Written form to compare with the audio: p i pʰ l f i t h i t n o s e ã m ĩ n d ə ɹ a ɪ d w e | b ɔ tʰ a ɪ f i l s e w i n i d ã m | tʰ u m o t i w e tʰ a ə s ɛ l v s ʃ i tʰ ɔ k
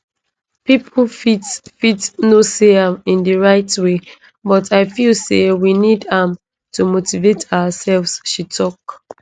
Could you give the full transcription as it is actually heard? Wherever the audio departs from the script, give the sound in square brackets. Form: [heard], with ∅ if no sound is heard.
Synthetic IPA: p i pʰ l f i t [f] i t n o s e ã m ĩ n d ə ɹ a ɪ [t] w e | b ɔ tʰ a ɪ f i l s e w i n i d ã m | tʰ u m o t i [v] e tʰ a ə s ɛ l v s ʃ i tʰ ɔ k